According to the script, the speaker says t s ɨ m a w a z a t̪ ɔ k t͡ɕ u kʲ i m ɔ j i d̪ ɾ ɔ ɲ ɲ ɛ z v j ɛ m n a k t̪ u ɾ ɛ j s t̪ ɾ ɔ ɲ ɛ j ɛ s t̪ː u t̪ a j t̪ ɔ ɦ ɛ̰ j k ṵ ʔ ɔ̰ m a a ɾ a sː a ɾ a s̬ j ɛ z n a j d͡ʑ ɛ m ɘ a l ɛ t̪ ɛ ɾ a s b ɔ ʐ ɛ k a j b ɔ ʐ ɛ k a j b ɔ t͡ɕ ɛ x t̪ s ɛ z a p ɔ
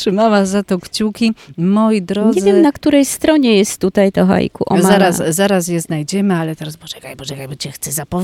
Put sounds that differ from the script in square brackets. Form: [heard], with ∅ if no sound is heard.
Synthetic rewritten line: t [ʂ] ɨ m a w a z a t̪ ɔ k t͡ɕ u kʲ i m ɔ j i d̪ ɾ ɔ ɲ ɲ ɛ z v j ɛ m n a k t̪ u ɾ ɛ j s t̪ ɾ ɔ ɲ ɛ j ɛ s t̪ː u t̪ a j t̪ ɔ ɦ [a̰] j k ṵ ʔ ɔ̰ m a a ɾ a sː a ɾ a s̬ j ɛ z n a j d͡ʑ ɛ m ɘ a l ɛ t̪ ɛ ɾ a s b ɔ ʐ ɛ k a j b ɔ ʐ ɛ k a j b ɔ t͡ɕ ɛ x t̪ s ɛ z a p ɔ